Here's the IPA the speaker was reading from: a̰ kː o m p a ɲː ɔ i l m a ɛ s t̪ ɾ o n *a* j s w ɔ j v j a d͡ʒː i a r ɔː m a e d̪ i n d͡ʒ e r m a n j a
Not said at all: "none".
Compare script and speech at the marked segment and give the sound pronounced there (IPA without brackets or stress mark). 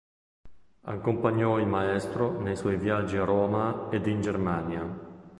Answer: e